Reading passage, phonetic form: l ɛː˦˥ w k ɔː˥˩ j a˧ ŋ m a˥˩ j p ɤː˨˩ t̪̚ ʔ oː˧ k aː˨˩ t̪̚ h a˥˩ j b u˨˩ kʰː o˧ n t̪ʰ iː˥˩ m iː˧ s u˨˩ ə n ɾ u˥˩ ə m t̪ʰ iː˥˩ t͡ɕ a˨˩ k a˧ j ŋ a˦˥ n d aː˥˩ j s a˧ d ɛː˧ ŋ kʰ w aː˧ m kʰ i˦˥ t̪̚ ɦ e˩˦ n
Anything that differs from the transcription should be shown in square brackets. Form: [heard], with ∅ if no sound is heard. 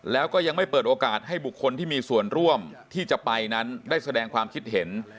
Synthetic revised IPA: l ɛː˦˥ w k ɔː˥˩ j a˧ ŋ m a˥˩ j p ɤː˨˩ t̪̚ ʔ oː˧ k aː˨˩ t̪̚ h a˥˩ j b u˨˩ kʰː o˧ n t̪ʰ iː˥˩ m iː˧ s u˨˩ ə n ɾ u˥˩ ə m t̪ʰ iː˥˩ t͡ɕ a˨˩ [p] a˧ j [n] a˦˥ n d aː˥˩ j s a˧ d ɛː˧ ŋ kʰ w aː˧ m kʰ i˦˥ t̪̚ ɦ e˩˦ n